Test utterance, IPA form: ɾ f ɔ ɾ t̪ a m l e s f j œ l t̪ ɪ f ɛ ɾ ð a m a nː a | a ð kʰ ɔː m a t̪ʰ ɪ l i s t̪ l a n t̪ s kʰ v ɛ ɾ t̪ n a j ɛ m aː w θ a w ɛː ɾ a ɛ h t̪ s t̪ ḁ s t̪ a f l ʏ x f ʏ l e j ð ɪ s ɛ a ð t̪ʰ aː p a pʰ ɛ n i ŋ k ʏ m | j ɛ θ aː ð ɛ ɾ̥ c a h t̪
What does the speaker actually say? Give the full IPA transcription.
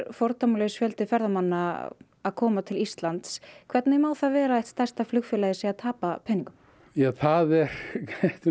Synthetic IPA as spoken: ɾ f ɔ ɾ t̪ a m l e s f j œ l t̪ ɪ f ɛ ɾ ð a m a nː a | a ð kʰ ɔː m a t̪ʰ ɪ l i s t̪ l a n t̪ s kʰ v ɛ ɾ t̪ n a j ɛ m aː w θ a v ɛː ɾ a ɛ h t̪ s t̪ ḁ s t̪ a f l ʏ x f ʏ l a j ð ɪ s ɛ a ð t̪ʰ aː p a pʰ ɛ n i ŋ k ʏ m | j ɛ θ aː ð ɛ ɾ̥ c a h t̪